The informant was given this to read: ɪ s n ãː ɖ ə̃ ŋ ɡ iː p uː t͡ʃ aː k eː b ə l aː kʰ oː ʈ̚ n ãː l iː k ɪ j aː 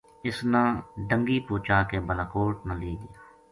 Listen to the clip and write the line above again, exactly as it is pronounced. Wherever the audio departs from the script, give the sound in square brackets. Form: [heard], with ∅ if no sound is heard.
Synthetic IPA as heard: ɪ s n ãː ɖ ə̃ ŋ ɡ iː p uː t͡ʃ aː k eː b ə l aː [k] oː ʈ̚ n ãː l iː [ɡ] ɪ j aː